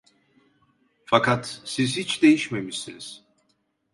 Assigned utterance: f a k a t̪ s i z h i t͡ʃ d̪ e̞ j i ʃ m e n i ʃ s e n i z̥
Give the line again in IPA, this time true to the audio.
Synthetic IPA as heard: f a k a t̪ s i z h i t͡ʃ d̪ e̞ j i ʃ m e m i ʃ s i n i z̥